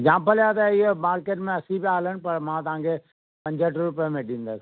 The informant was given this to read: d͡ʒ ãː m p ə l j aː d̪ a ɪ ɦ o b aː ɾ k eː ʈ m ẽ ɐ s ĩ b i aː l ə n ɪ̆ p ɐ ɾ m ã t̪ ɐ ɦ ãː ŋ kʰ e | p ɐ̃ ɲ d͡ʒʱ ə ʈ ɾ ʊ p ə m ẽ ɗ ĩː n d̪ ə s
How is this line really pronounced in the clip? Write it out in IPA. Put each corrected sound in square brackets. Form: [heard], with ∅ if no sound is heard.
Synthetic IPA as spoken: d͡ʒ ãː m p ə l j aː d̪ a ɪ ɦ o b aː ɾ k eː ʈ m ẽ ɐ s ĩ b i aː l ə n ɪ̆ p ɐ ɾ m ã t̪ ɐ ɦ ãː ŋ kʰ e | p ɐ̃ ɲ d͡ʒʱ ə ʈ ɾ ʊ p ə m ẽ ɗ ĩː n d̪ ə s